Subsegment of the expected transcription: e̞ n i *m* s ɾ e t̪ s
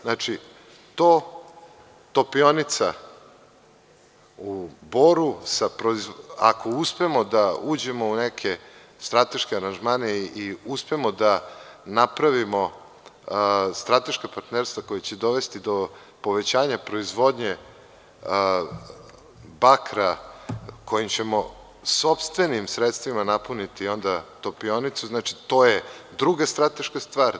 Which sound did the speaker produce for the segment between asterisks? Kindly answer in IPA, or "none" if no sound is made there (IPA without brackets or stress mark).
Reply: m